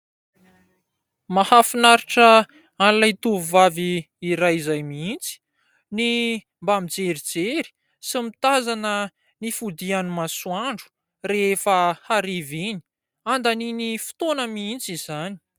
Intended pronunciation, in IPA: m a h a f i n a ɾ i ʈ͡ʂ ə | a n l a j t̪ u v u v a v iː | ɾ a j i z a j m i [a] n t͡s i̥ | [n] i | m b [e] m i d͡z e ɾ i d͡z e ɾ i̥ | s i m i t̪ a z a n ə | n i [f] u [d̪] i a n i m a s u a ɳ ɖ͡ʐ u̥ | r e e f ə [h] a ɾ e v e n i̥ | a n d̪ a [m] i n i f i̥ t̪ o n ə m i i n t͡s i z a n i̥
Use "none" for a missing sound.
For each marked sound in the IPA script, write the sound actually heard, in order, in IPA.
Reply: i, n, a, f, d̪, h, n

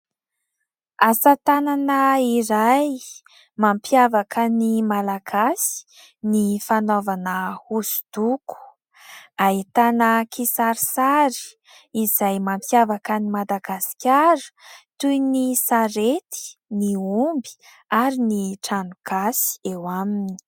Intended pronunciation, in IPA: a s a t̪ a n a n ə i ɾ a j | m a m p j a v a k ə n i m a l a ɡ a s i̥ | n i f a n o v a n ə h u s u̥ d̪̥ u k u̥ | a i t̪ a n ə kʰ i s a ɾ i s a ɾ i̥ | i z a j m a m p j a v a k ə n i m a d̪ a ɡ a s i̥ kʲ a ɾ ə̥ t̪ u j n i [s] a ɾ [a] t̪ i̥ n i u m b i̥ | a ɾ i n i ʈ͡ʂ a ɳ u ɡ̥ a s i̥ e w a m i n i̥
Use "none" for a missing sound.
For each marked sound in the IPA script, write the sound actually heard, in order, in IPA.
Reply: s, e

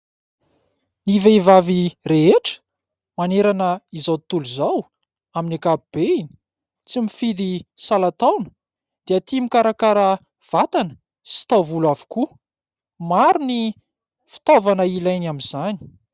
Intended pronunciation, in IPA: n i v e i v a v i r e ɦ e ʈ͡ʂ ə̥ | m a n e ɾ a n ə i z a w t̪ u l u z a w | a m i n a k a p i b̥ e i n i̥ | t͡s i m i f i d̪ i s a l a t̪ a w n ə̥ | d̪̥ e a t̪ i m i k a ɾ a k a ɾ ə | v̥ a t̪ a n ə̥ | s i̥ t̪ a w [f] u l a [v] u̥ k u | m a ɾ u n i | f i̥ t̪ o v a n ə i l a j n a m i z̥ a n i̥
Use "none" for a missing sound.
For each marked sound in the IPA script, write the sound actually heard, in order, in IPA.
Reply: v, v

